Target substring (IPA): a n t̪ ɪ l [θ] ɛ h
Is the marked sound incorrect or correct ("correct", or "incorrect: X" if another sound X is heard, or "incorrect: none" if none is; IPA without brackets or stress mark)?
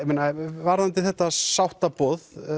correct